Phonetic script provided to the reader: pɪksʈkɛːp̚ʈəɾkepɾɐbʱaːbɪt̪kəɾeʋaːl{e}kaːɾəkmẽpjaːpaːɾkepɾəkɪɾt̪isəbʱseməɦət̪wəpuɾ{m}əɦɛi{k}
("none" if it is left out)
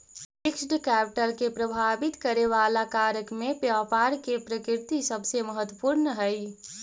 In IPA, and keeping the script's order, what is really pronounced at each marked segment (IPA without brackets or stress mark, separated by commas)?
a, n, none